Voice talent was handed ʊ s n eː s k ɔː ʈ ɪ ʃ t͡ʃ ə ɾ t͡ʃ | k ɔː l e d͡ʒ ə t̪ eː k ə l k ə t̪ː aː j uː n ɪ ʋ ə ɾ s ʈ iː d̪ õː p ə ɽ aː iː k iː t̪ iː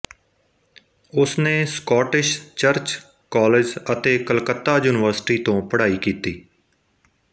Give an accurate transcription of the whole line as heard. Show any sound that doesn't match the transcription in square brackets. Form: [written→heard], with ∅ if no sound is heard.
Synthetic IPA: ʊ s n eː s k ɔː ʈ ɪ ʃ t͡ʃ ə ɾ t͡ʃ | k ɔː l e d͡ʒ ə t̪ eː k ə l k ə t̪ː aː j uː n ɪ ʋ ə ɾ s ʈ iː [d̪→t̪] õː p ə ɽ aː iː k iː t̪ iː